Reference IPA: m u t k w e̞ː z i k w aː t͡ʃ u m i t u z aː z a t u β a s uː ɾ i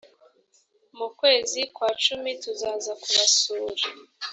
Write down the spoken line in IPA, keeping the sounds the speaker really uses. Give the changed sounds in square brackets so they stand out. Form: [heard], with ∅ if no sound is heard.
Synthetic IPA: m u [∅] k w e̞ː z i k w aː t͡ʃ u m i t u z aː z a [k] u β a s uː ɾ [a]